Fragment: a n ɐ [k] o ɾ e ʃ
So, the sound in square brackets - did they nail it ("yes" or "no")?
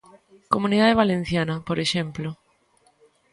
no